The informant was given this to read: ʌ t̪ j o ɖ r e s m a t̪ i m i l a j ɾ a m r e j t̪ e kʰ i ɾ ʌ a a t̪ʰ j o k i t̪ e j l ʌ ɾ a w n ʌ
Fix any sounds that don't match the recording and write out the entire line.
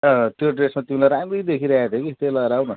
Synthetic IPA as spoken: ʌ t̪ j o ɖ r e s m a t̪ i m i l a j ɾ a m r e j d̪ e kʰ i ɾ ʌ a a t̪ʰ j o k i t̪ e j l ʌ ɾ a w n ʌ